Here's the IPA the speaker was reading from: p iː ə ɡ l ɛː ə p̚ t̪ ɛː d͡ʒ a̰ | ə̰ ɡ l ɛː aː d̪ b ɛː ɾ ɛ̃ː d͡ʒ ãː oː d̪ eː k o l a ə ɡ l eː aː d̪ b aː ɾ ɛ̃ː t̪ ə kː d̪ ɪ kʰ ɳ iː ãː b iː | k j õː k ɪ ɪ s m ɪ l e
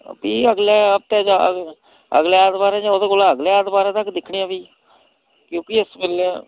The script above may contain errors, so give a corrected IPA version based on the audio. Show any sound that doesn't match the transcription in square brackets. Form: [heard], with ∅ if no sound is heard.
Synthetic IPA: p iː ə ɡ l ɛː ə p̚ t̪ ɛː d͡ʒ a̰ | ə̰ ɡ l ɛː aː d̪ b [aː] ɾ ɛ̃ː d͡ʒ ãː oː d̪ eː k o l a ə ɡ l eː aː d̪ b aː ɾ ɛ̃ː t̪ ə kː d̪ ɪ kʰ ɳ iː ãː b iː | k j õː k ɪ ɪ s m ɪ l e

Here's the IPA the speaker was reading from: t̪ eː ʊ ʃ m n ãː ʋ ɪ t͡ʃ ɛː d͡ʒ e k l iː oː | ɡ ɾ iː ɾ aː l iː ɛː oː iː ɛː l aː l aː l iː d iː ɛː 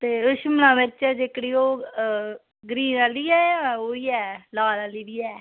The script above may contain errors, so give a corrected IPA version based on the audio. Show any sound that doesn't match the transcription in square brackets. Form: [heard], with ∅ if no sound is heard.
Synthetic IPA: t̪ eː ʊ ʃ m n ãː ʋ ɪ t͡ʃ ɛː d͡ʒ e k [ɽ] iː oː | ɡ ɾ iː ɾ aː l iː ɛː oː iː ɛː l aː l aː l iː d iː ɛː

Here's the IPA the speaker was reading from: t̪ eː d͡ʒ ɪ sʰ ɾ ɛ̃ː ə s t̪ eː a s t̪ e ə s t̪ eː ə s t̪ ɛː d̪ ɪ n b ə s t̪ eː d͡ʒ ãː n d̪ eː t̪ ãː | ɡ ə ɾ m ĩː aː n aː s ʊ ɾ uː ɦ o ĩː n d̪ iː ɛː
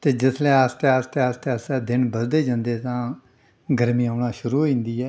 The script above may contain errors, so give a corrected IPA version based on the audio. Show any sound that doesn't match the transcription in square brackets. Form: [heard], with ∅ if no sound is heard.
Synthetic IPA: t̪ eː d͡ʒ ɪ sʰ [l] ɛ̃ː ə s t̪ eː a s t̪ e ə s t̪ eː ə s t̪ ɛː d̪ ɪ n b ə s [d̪] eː d͡ʒ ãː n d̪ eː t̪ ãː | ɡ ə ɾ m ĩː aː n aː [ʃ] ʊ ɾ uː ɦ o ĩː n d̪ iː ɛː

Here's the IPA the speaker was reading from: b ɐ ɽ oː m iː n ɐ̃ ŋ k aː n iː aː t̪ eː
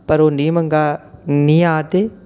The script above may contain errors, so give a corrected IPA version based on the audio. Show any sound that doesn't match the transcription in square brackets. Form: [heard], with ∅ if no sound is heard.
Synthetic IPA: [p] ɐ [ɾ] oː [n] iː [m] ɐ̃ ŋ [ɡ] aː n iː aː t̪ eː

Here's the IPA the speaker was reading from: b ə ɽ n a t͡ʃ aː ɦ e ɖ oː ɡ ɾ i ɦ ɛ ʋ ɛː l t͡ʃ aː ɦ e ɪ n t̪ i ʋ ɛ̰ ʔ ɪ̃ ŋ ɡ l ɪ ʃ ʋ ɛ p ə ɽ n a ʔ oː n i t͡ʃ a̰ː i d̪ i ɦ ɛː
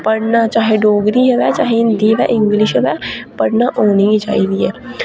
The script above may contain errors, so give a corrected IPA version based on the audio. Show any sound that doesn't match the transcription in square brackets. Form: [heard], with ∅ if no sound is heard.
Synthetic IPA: [p] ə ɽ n a t͡ʃ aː ɦ e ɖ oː ɡ ɾ i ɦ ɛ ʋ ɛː [∅] t͡ʃ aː ɦ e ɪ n [d̪] i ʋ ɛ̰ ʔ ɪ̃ ŋ ɡ l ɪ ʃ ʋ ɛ p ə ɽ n a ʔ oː n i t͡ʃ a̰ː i d̪ i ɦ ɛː

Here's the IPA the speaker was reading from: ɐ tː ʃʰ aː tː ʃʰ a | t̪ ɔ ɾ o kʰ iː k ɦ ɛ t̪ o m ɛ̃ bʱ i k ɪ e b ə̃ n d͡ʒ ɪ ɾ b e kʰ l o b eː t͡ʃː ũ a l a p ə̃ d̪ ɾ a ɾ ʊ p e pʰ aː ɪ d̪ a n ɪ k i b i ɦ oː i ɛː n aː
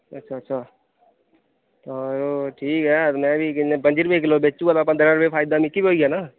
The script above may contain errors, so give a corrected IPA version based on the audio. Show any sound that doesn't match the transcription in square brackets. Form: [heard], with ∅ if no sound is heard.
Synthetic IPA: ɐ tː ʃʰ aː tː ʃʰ a | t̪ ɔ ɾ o [ʈʰ] iː k ɦ ɛ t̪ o m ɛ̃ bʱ i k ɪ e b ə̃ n d͡ʒ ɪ ɾ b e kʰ l o b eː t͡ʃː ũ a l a p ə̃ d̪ ɾ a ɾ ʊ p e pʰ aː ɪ d̪ a [m] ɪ k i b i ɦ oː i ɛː n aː

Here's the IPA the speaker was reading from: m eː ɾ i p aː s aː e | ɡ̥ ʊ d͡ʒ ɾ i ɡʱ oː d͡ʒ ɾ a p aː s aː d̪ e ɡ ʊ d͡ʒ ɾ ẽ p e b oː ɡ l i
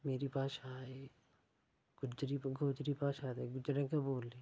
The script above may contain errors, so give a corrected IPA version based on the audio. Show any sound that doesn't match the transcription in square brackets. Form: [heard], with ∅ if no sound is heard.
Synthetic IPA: m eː ɾ i p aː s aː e | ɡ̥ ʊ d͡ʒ ɾ i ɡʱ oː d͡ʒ ɾ [i] p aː s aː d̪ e ɡ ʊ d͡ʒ ɾ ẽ [k] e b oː [∅] l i

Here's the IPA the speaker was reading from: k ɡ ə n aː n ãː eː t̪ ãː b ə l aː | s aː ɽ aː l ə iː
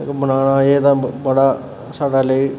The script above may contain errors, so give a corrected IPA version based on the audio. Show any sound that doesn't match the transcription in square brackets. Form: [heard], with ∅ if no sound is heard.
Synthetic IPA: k [b] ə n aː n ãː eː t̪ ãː b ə [ɽ] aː | s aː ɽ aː l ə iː

